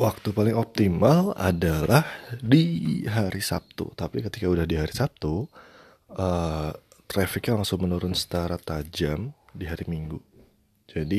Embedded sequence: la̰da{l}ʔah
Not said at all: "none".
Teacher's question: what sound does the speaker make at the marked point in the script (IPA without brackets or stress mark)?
l